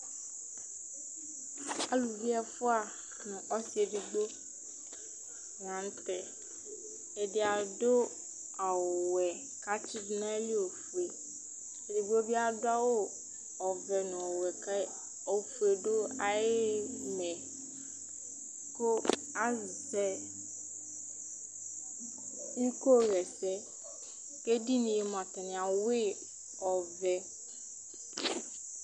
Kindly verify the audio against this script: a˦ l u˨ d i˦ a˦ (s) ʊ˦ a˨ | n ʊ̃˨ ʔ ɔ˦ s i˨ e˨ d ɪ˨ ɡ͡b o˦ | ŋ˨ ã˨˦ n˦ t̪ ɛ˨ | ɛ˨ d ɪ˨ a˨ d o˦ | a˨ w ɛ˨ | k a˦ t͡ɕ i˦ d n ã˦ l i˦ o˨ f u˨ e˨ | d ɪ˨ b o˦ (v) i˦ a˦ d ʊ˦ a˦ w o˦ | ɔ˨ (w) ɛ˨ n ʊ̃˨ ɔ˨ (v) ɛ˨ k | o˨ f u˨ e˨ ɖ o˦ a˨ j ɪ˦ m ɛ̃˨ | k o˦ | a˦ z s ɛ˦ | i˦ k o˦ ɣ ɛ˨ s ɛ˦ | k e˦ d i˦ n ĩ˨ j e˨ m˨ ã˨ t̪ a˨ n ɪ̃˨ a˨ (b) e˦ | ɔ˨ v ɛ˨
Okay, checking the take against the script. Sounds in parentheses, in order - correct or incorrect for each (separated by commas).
incorrect, incorrect, incorrect, incorrect, incorrect